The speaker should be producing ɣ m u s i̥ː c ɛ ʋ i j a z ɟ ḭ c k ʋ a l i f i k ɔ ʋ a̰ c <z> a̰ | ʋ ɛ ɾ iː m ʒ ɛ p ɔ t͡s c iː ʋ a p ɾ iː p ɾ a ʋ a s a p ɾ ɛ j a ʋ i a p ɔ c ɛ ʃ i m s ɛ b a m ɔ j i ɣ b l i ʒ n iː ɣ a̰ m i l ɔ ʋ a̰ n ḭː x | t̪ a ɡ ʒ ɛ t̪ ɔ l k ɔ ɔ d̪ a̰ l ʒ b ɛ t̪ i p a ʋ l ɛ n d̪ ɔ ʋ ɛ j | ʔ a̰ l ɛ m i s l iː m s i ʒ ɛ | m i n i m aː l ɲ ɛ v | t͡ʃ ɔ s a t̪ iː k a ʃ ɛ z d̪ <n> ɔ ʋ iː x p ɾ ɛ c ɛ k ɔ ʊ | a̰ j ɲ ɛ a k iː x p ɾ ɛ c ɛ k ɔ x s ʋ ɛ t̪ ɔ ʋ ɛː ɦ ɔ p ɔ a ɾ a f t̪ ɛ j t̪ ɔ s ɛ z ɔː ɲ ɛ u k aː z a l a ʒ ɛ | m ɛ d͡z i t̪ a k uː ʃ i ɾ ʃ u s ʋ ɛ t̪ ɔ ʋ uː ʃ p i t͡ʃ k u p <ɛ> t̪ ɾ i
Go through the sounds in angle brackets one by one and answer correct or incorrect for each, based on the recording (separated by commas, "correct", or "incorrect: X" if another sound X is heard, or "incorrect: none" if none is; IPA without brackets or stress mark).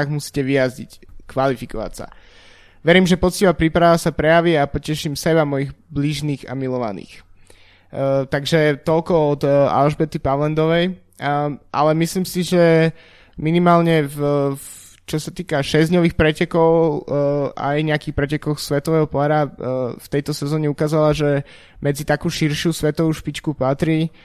incorrect: s, incorrect: ɲ, incorrect: a